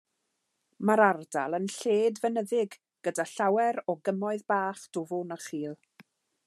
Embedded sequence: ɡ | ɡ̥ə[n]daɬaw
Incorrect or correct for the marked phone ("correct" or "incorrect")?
incorrect